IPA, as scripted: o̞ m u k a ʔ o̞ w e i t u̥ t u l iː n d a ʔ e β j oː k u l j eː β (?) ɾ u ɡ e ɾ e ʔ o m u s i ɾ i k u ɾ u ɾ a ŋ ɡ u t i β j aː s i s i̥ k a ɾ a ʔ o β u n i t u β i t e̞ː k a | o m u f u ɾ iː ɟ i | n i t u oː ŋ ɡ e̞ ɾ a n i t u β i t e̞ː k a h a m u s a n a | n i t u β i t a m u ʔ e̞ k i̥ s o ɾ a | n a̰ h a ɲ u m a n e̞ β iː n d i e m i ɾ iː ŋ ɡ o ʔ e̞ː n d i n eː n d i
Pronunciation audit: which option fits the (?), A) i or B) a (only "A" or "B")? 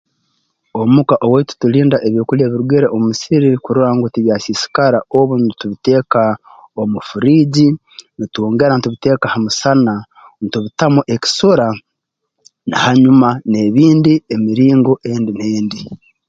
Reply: A